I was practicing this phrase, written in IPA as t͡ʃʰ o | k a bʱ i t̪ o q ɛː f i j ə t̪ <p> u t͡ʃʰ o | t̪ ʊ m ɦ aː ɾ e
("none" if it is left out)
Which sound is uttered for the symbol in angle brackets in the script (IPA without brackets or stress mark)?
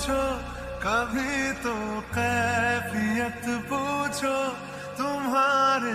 p